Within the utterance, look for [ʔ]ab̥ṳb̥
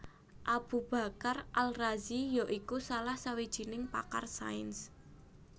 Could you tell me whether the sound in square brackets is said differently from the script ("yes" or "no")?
no